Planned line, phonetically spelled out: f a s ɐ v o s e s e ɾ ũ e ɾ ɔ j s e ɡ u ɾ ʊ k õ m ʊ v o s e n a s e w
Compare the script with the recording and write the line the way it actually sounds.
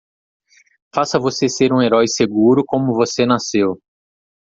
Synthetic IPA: f a s ɐ v o s e s e ɾ ũ e ɾ ɔ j s e ɡ u ɾ ʊ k õ m ʊ v o s e n a s e w